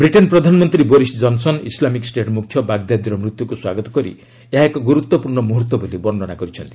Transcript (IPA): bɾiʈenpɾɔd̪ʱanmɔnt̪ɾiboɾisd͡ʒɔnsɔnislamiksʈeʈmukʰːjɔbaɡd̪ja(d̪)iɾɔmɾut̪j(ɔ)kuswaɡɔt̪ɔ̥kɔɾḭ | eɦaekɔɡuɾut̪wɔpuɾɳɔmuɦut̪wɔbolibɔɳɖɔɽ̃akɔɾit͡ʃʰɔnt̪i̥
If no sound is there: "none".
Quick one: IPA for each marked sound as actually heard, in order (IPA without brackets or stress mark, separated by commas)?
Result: d̪, u